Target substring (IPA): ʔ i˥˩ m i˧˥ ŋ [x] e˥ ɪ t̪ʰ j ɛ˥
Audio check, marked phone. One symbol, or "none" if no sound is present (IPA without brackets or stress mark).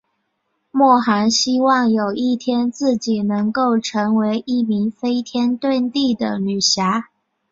f